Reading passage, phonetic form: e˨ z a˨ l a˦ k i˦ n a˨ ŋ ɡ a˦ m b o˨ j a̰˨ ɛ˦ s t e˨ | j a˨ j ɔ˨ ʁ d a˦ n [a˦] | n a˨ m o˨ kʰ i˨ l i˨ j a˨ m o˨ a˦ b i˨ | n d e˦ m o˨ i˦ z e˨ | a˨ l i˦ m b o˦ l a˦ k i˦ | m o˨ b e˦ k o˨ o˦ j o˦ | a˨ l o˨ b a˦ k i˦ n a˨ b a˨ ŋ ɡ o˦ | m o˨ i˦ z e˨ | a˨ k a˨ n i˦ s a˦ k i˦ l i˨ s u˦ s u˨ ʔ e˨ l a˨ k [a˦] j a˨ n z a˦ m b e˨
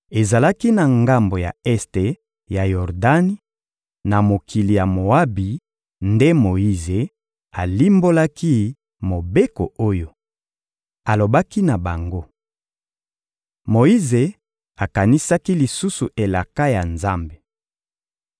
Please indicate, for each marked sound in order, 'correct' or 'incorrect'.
incorrect: i˦, correct

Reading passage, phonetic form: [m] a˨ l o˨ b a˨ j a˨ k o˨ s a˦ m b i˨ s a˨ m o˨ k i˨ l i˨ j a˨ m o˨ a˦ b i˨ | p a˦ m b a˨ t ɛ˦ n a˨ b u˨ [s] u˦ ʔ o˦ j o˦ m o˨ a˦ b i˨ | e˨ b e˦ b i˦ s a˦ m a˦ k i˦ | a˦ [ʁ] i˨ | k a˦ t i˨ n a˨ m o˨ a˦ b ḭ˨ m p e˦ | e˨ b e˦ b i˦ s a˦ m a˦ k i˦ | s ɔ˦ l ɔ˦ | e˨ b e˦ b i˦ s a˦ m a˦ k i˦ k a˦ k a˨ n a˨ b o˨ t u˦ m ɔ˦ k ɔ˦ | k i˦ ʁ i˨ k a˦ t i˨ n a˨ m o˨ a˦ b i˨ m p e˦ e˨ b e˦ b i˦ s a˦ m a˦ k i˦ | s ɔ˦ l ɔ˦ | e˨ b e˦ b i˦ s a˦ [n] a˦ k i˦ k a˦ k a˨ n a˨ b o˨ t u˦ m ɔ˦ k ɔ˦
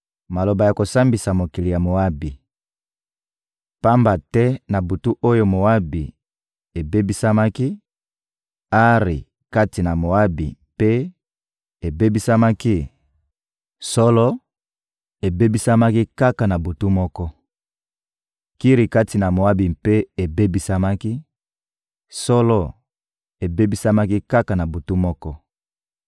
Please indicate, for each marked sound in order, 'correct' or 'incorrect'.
correct, incorrect: t, correct, incorrect: m

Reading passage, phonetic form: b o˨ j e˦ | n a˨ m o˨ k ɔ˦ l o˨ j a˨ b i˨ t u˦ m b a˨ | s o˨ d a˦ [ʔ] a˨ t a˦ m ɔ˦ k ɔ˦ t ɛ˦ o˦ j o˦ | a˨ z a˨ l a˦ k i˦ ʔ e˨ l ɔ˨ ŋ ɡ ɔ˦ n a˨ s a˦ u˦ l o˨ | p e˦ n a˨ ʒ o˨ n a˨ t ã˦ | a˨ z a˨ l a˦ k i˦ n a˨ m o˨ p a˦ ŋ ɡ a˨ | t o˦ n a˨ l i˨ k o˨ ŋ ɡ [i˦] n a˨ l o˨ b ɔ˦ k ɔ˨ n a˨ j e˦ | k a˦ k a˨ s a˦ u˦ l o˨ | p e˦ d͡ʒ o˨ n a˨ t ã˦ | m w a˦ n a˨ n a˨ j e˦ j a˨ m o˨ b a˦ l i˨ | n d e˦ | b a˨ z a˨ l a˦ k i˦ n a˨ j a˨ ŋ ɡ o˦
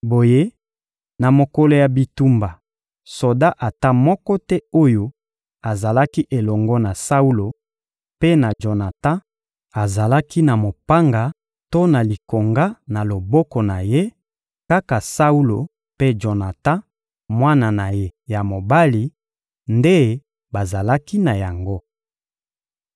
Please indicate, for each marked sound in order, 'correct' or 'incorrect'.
correct, incorrect: a˦

